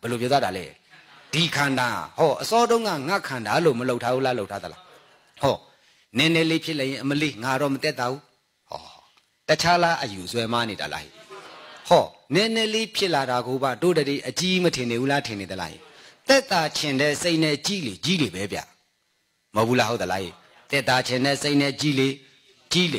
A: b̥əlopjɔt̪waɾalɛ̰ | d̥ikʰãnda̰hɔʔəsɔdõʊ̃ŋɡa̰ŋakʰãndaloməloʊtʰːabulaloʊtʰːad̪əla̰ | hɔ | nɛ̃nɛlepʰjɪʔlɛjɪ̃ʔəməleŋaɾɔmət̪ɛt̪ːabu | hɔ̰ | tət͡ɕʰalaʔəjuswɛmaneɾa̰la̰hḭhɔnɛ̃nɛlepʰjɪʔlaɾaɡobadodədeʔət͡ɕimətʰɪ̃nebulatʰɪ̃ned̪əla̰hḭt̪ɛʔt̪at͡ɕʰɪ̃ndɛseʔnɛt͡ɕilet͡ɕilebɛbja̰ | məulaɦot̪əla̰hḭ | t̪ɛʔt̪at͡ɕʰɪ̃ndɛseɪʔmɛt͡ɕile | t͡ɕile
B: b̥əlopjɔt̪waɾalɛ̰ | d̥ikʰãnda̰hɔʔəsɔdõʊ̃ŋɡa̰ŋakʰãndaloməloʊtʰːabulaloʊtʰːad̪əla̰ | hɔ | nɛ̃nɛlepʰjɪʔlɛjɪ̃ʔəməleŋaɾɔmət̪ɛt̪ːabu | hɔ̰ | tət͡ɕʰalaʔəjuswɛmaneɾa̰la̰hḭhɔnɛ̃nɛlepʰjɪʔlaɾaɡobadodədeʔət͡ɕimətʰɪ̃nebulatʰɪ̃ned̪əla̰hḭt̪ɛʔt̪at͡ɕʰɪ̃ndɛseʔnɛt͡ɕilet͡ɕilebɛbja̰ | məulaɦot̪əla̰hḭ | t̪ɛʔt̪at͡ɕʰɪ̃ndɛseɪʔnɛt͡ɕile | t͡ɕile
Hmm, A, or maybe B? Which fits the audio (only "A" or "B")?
B